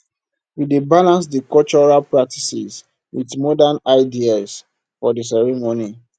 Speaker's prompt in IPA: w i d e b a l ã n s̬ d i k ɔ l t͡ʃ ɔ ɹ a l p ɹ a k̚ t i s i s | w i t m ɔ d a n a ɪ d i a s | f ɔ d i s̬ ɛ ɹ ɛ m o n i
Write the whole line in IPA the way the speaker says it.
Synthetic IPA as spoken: w i d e b a l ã n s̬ d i k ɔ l t͡ʃ ɔ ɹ a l p ɹ a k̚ t i s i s | w i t m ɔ d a n a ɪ d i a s | f ɔ d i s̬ ɛ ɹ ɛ m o n i